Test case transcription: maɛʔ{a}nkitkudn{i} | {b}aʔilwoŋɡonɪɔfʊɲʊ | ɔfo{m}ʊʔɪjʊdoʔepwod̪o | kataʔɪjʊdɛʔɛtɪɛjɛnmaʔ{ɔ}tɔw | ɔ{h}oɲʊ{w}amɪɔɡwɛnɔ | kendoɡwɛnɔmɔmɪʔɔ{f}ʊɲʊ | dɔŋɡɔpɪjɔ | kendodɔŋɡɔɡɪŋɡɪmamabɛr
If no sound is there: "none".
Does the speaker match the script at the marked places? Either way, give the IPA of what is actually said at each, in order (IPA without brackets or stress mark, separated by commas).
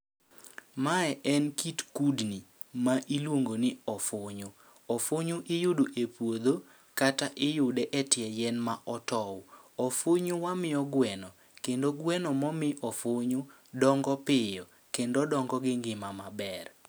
ɛ, i, m, ɲ, ɔ, f, w, f